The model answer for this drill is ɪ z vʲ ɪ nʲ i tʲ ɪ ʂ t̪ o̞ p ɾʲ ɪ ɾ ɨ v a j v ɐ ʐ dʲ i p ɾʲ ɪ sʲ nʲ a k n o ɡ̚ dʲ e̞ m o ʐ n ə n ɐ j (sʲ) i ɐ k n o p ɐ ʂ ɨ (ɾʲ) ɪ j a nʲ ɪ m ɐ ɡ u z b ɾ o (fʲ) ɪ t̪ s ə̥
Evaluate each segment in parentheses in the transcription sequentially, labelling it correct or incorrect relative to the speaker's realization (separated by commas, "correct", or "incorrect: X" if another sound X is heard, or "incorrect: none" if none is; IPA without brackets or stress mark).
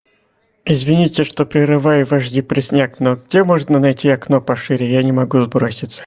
incorrect: tʲ, correct, incorrect: sʲ